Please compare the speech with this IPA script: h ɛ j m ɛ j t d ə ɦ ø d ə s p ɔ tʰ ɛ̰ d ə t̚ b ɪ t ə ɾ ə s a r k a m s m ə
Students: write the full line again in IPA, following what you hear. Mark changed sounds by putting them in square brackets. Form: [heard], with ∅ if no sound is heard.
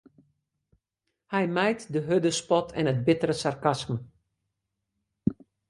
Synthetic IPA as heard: h ɛ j m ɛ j t d ə ɦ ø d ə s p ɔ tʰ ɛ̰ [n] ə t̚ b ɪ t ə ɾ ə s a r k a [∅] s m ə